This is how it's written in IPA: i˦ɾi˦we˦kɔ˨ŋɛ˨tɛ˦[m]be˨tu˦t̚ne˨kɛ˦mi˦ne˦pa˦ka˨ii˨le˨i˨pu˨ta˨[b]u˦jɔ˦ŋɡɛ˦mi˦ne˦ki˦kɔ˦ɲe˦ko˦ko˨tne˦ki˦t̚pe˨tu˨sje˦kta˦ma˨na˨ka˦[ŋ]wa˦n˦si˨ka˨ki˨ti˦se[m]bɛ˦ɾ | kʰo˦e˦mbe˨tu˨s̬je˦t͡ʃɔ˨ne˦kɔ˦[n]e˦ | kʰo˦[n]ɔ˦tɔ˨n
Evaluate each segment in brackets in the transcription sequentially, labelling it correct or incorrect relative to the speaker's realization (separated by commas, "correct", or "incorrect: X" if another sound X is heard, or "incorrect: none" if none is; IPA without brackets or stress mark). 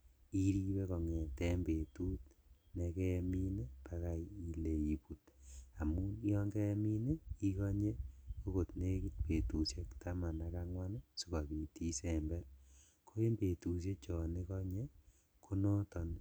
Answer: correct, incorrect: m, correct, correct, incorrect: ɲ, correct